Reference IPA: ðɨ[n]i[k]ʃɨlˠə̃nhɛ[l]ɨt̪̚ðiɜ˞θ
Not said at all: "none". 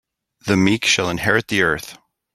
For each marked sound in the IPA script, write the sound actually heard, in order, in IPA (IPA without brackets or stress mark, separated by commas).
m, k, ɹ